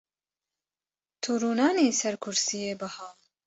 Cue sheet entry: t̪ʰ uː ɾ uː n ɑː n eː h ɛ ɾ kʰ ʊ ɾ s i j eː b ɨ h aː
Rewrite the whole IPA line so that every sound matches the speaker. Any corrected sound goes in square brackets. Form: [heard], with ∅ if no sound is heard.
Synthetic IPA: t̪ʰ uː ɾ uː n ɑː n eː [s] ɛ ɾ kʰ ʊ ɾ s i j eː b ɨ h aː

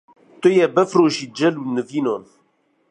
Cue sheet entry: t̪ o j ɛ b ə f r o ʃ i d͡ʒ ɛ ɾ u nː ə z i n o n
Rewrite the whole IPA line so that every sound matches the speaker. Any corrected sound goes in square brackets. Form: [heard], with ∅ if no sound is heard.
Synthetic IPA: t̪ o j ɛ b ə f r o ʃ i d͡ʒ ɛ [l] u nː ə [v] i n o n

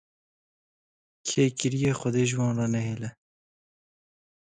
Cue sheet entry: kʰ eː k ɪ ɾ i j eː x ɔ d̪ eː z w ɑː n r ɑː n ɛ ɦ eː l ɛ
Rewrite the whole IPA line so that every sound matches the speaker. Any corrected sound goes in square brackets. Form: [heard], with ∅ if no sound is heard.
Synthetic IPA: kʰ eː k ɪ ɾ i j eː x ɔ d̪ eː [ʒ] w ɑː n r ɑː n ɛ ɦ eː l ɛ

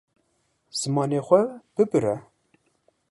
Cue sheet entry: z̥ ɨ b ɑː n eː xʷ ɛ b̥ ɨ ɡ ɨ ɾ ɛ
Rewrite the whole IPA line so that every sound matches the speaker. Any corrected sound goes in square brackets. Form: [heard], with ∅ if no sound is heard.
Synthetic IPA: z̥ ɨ [m] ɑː n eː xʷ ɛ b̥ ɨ [b] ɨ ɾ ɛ

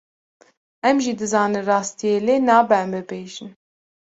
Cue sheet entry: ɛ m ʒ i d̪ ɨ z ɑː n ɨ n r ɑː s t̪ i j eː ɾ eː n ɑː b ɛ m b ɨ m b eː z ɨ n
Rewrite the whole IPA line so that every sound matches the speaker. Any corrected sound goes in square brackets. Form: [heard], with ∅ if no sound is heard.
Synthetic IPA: ɛ m ʒ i d̪ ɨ z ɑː n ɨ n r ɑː s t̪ i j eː [l] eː n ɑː b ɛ m b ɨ [∅] b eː [ʒ] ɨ n

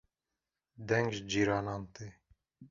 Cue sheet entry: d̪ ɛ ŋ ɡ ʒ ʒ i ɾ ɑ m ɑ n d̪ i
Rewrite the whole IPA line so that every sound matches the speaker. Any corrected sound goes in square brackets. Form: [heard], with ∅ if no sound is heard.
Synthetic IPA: d̪ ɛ ŋ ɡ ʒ [d͡ʒ] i ɾ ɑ [n] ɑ n [t̪] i

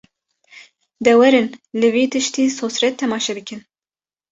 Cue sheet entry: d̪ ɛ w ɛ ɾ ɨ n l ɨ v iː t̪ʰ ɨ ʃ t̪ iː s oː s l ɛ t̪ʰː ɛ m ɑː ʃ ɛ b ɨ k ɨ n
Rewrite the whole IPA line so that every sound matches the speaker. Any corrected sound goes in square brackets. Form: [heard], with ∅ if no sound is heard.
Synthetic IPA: d̪ ɛ w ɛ ɾ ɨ n l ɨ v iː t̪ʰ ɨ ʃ t̪ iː s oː s [ɾ] ɛ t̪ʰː ɛ m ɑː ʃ ɛ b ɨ k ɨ n

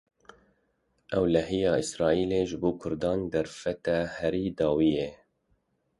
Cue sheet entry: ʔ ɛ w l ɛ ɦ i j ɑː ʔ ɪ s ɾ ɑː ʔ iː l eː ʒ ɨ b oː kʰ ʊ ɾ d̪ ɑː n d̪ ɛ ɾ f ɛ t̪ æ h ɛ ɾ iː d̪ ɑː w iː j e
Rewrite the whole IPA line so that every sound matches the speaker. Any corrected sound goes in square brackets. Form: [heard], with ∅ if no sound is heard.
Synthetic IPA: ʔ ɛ w l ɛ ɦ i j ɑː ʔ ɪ s ɾ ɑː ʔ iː l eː ʒ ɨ b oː kʰ ʊ ɾ d̪ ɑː n d̪ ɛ ɾ f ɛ t̪ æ h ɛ ɾ iː d̪ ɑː w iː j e

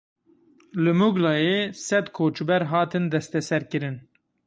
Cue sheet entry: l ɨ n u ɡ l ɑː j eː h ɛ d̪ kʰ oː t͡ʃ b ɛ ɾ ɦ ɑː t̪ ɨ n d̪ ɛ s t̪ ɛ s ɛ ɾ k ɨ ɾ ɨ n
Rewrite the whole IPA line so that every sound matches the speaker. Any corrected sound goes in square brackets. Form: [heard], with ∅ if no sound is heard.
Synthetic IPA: l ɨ [m] u ɡ l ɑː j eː [s] ɛ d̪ kʰ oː t͡ʃ b ɛ ɾ ɦ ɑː t̪ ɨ n d̪ ɛ s t̪ ɛ s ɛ ɾ k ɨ ɾ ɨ n

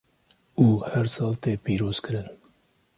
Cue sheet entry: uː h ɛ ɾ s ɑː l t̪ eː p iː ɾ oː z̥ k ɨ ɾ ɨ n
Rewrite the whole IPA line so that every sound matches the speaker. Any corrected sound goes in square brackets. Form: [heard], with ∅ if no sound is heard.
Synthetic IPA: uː h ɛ ɾ s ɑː l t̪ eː p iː ɾ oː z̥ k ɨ ɾ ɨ n

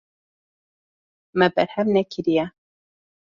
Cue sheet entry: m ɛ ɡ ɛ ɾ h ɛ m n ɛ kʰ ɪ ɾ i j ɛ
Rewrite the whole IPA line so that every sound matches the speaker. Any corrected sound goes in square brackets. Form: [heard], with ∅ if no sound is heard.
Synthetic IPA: m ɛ [b] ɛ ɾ h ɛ m n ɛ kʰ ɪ ɾ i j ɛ

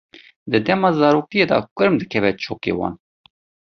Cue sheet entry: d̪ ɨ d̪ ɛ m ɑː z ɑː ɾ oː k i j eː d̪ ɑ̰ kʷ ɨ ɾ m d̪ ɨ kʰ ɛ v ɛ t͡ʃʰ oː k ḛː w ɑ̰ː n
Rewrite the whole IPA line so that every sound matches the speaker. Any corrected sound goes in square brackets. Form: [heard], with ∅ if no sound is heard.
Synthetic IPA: d̪ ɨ d̪ ɛ m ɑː z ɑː ɾ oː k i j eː d̪ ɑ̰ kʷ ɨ ɾ m d̪ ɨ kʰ ɛ v ɛ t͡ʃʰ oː k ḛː w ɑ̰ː n

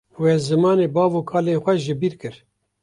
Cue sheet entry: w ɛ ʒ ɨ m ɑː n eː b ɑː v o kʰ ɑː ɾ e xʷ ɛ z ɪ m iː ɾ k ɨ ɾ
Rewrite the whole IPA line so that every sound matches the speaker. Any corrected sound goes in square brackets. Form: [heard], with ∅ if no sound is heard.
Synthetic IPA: w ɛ [z] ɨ m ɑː n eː b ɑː v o kʰ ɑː [l] e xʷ ɛ [ʒ] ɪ [b] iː ɾ k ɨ ɾ

